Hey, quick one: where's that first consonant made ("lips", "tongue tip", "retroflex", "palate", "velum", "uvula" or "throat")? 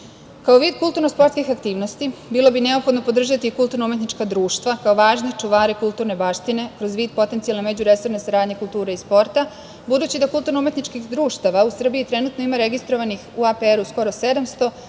velum